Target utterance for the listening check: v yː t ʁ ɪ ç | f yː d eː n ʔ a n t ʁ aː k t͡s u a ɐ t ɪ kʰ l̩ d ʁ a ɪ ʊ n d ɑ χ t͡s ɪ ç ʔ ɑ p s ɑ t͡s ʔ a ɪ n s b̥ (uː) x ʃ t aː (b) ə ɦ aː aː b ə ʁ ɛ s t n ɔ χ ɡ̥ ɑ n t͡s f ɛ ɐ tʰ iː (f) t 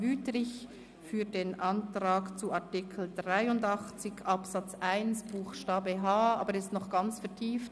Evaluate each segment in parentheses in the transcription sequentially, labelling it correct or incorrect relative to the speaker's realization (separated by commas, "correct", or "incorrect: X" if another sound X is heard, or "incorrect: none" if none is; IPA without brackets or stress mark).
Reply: correct, correct, correct